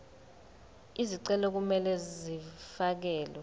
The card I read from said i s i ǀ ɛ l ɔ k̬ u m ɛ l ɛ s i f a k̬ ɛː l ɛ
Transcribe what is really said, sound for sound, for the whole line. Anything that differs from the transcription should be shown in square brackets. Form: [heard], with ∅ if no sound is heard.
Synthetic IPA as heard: i [z] i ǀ ɛ l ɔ k̬ u m ɛ l ɛ [z] i f a k̬ ɛː l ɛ